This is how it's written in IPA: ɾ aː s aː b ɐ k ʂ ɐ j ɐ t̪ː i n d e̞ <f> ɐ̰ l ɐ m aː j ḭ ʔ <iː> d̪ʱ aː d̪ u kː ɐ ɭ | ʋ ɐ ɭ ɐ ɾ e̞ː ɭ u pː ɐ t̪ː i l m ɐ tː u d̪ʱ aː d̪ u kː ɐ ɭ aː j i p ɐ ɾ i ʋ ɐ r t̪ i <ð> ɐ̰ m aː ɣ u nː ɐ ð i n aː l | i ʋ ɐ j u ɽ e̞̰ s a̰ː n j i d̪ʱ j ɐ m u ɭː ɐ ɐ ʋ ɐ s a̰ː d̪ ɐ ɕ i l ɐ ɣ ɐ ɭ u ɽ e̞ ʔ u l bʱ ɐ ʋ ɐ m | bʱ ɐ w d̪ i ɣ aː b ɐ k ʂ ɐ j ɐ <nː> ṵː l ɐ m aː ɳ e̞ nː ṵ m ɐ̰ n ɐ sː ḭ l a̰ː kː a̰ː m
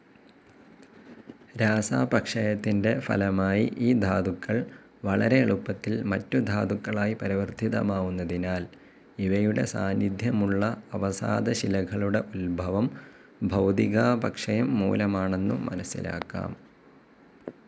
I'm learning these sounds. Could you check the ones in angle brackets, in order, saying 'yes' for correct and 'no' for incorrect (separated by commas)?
yes, yes, yes, no